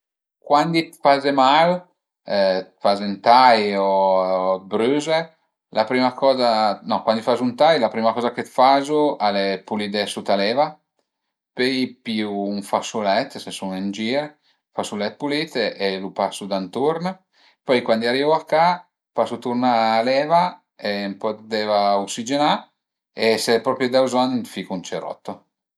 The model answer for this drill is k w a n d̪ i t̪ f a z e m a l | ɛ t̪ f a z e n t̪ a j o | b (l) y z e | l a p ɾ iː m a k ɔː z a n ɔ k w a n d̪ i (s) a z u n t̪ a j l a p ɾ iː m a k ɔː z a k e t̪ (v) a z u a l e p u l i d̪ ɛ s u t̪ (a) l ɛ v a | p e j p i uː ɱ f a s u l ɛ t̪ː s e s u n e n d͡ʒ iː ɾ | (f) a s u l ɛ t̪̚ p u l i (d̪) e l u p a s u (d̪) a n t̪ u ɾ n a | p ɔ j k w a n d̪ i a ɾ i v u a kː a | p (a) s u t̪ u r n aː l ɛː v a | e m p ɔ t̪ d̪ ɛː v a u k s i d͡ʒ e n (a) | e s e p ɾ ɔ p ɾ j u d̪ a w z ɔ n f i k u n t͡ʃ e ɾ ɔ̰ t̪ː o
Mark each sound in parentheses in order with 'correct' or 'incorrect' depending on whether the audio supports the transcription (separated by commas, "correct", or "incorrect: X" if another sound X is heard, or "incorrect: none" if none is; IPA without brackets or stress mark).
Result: incorrect: ɾ, incorrect: f, incorrect: f, correct, correct, incorrect: t̪, correct, correct, correct